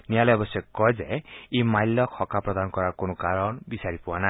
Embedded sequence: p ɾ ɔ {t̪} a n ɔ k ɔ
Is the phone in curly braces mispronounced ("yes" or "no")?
yes